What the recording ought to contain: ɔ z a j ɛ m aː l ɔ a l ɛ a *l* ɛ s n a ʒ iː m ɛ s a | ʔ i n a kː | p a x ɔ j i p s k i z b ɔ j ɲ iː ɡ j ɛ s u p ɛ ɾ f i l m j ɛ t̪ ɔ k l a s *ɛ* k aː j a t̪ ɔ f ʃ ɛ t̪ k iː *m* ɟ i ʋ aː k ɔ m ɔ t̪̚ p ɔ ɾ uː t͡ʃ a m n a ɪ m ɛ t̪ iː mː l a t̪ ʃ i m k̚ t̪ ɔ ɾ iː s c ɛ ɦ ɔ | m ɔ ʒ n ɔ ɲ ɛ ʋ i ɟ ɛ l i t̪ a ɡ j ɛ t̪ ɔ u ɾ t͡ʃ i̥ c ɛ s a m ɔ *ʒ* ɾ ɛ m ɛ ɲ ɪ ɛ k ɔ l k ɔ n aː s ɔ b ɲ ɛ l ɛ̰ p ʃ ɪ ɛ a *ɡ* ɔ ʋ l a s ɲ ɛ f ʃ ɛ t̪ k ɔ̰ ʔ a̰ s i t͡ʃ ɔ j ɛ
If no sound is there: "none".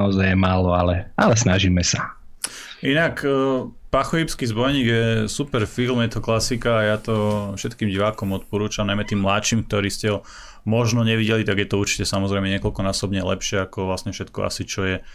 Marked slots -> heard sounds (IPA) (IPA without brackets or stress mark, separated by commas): l, i, m, z, k